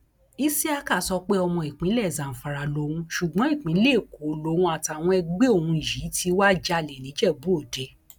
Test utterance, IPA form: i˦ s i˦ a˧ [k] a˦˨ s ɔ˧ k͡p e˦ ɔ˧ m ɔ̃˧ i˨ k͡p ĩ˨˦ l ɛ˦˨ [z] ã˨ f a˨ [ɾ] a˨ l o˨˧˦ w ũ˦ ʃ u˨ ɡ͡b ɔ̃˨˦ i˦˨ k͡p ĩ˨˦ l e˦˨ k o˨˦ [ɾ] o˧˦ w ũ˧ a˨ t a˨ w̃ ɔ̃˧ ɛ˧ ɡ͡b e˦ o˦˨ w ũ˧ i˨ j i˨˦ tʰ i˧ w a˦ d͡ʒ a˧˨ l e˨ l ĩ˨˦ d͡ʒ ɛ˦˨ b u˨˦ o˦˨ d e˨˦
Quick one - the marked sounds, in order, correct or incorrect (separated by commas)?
correct, correct, correct, incorrect